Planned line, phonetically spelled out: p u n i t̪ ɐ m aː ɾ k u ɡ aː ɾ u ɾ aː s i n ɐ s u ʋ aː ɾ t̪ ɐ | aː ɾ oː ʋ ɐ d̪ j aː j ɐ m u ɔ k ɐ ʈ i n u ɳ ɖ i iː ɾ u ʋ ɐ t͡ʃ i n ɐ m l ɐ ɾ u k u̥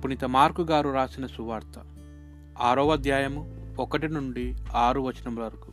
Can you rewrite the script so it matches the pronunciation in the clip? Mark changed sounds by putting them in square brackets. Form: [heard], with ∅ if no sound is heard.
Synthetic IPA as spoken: p u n i t̪ ɐ m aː ɾ k u ɡ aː ɾ u ɾ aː s i n ɐ s u ʋ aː ɾ t̪ ɐ | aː ɾ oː ʋ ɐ d̪ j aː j ɐ m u ɔ k ɐ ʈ i n u ɳ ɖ i [aː] ɾ u ʋ ɐ t͡ʃ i n ɐ m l ɐ ɾ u k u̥